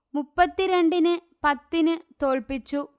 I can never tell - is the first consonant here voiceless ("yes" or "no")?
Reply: no